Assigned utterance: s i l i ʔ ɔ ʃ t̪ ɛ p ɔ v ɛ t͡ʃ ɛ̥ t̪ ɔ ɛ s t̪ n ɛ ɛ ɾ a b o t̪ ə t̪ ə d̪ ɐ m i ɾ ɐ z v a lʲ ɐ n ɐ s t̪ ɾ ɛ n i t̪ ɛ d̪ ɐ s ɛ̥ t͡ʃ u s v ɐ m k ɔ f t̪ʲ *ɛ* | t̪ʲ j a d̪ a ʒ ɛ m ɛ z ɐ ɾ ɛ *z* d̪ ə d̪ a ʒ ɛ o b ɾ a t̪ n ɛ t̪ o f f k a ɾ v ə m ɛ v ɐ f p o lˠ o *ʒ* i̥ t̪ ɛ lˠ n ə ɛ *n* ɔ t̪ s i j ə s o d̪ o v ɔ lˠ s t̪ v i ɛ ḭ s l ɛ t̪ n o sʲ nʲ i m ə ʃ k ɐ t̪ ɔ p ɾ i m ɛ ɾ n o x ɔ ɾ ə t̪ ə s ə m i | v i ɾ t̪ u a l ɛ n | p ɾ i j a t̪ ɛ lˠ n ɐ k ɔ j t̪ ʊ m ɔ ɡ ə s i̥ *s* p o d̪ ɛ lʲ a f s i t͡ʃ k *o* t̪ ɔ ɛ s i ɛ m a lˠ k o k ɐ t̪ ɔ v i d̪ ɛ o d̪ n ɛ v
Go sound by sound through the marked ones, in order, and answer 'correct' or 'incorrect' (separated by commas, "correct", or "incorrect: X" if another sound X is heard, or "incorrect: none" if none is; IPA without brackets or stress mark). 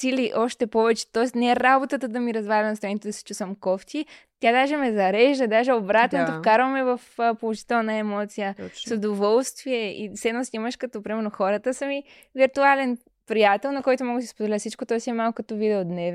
incorrect: i, incorrect: ʒ, correct, incorrect: m, correct, correct